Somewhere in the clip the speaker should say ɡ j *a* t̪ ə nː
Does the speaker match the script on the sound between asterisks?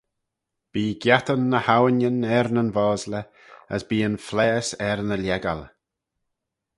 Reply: yes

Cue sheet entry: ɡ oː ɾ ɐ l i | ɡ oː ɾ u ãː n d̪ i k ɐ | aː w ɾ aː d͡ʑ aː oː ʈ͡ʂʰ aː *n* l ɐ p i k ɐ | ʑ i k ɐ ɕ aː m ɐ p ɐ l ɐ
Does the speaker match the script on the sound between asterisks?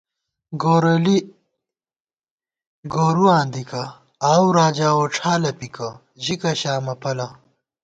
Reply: no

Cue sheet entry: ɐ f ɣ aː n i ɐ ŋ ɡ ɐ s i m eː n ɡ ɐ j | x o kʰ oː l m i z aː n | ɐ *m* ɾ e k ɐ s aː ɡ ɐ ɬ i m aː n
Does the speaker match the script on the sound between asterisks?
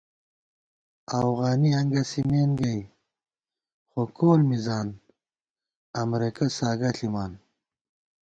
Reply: yes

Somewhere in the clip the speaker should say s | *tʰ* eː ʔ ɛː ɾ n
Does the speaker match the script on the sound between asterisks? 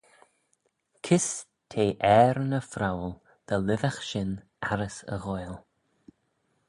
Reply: yes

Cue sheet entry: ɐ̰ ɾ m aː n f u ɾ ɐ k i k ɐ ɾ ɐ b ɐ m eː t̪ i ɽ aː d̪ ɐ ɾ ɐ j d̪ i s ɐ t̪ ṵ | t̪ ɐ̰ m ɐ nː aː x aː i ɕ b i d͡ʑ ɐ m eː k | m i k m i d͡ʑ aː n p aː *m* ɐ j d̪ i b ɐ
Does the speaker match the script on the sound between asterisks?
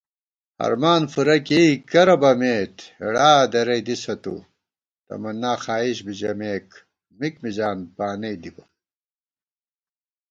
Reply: no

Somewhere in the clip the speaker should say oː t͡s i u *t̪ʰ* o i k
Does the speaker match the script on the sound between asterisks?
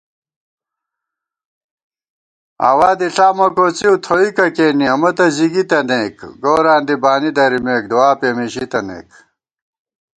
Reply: yes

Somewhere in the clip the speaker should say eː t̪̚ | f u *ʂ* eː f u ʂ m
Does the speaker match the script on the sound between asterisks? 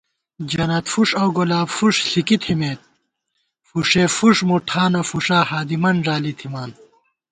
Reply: yes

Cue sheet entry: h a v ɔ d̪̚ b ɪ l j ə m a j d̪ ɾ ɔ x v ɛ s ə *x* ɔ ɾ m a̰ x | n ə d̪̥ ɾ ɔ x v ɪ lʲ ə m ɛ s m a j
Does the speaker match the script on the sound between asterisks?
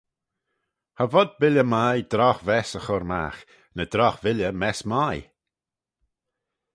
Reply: yes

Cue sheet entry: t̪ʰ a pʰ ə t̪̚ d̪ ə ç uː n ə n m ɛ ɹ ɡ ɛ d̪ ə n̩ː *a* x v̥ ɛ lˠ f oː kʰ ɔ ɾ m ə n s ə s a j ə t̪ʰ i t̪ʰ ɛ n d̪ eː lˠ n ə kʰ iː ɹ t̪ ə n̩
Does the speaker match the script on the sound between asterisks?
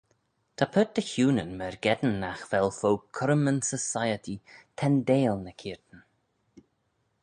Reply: yes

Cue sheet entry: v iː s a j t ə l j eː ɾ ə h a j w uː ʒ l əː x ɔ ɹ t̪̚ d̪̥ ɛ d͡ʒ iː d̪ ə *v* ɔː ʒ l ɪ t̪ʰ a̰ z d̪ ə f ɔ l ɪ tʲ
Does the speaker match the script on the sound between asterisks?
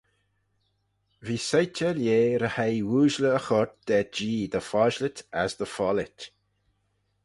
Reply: no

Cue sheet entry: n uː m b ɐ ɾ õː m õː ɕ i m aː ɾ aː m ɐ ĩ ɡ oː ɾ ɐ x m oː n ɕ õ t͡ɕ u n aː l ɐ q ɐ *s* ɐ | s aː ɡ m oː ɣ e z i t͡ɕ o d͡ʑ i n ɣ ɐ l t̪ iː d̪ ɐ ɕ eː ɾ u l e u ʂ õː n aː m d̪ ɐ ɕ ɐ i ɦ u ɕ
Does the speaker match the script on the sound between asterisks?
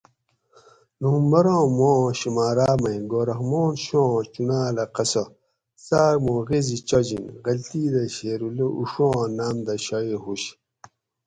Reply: yes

